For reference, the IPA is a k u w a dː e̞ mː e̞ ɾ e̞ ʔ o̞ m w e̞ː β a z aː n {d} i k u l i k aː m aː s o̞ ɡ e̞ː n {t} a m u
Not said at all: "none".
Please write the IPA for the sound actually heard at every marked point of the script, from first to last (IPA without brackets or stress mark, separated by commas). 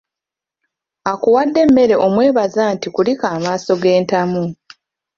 t, t